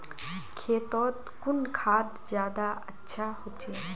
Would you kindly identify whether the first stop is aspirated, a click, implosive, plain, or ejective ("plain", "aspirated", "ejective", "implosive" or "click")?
aspirated